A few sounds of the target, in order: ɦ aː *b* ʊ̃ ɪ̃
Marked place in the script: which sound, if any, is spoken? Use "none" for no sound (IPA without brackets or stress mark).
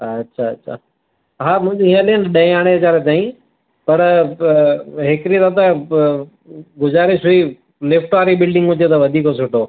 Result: m